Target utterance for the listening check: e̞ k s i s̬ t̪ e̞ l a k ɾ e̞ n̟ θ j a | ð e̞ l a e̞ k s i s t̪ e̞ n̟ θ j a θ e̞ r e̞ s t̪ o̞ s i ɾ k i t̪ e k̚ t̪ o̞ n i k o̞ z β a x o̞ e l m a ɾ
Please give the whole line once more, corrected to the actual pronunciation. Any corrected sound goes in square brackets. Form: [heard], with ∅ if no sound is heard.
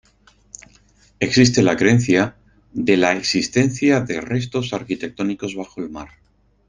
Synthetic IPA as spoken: e̞ k s i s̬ t̪ e̞ l a k ɾ e̞ n̟ θ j a | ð e̞ l a e̞ k s i s t̪ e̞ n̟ θ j a [ð] e̞ r e̞ s t̪ o̞ s [a] ɾ k i t̪ e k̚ t̪ o̞ n i k o̞ z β a x o̞ e l m a ɾ